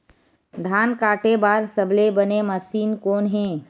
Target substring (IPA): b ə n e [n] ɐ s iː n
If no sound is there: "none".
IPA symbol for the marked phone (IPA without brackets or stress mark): m